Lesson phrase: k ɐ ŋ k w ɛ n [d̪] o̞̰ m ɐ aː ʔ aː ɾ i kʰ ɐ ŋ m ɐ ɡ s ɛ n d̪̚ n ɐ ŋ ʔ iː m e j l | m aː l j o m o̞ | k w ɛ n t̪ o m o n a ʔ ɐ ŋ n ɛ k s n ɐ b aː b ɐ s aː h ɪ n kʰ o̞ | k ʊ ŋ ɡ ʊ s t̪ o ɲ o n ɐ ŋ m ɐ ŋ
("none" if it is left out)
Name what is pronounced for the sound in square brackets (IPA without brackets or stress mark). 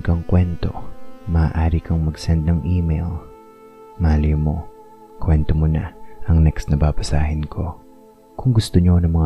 t̪